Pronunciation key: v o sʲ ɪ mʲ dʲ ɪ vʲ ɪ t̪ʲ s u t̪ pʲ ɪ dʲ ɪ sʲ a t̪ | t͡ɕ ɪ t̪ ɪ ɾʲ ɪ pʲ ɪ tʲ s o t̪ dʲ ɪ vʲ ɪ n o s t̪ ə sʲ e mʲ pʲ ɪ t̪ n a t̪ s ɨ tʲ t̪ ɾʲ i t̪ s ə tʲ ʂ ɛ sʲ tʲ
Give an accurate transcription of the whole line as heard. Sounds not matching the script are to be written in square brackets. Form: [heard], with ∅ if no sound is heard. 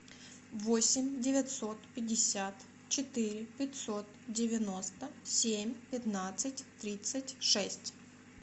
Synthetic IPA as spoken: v o sʲ ɪ mʲ dʲ ɪ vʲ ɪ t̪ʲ s [o] t̪ pʲ ɪ dʲ ɪ sʲ a t̪ | t͡ɕ ɪ t̪ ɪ ɾʲ ɪ pʲ ɪ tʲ s o t̪ dʲ ɪ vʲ ɪ n o s t̪ ə sʲ e mʲ pʲ ɪ t̪ n a t̪ s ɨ tʲ t̪ ɾʲ i t̪ s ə tʲ ʂ ɛ sʲ tʲ